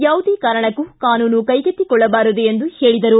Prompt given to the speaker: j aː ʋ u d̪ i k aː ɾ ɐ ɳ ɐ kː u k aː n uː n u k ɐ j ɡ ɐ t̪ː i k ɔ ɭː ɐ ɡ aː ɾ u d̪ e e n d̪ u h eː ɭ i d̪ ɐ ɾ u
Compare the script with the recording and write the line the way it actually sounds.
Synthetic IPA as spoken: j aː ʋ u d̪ i k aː ɾ ɐ ɳ ɐ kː u k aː n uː n u k ɐ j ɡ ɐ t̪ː i k ɔ ɭː ɐ b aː ɾ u d̪ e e n d̪ u h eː ɭ i d̪ ɐ ɾ u